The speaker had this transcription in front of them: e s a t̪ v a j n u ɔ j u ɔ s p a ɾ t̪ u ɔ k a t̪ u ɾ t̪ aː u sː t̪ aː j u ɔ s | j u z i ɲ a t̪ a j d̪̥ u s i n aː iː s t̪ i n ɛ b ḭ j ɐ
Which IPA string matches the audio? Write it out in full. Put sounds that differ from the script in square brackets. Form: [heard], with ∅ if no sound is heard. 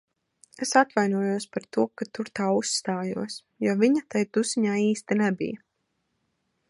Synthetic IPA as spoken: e s a t̪ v a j n u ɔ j u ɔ s p a ɾ t̪ u ɔ k a t̪ u ɾ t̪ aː u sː t̪ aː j u ɔ s | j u [v] i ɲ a t̪ a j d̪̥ u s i [ɲ] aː iː s t̪ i n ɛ b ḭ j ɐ

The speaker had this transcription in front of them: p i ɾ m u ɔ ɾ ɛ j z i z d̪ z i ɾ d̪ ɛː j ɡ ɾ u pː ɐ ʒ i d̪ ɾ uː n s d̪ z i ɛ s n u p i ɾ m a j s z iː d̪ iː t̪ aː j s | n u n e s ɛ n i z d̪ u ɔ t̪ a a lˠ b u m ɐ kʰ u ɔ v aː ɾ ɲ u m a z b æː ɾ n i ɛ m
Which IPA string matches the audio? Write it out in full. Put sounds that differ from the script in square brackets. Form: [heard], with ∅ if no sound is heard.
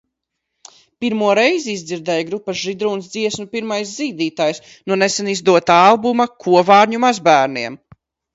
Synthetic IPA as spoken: p i ɾ m u ɔ ɾ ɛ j z i z d̪ z i ɾ d̪ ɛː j ɡ ɾ u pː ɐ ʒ i d̪ ɾ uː n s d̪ z i ɛ s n u p i ɾ m a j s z iː d̪ iː t̪ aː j s | n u n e s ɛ n i z d̪ u ɔ t̪ a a lˠ b u m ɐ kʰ u ɔ v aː ɾ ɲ u m a z b æː ɾ n i ɛ m

